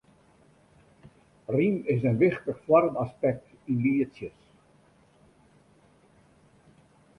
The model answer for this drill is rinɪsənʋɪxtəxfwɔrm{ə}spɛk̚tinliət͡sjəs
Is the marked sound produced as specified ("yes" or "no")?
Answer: no